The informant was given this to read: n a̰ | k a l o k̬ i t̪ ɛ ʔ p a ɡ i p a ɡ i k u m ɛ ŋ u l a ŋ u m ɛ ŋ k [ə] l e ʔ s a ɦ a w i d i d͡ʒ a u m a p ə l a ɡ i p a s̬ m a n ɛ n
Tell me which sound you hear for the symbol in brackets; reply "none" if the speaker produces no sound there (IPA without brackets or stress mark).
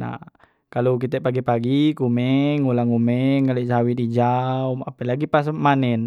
a